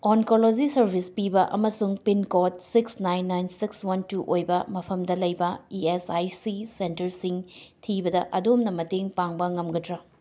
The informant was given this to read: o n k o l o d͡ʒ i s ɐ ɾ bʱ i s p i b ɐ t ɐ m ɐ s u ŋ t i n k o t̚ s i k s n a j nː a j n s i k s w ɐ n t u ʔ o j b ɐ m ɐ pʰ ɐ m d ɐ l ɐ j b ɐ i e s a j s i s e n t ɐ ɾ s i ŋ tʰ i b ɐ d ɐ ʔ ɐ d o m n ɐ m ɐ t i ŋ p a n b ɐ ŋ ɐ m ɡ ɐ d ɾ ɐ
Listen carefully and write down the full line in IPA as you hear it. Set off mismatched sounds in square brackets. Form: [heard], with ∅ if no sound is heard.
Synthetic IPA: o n k o l o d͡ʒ i s ɐ ɾ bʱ i s p i b ɐ [ʔ] ɐ m ɐ s u ŋ [p] i n k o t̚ s i k s n a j nː a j n s i k s w ɐ n t u ʔ o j b ɐ m ɐ pʰ ɐ m d ɐ l ɐ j b ɐ i e s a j s i s e n t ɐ ɾ s i ŋ tʰ i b ɐ d ɐ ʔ ɐ d o m n ɐ m ɐ t [e] ŋ p a [ŋ] b ɐ ŋ ɐ m ɡ ɐ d ɾ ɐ